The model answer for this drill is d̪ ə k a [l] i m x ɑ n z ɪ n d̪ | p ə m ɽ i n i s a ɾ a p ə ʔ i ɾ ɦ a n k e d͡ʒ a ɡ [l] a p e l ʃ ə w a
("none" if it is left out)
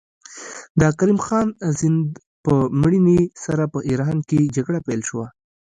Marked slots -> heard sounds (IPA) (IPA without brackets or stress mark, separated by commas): ɾ, ɽ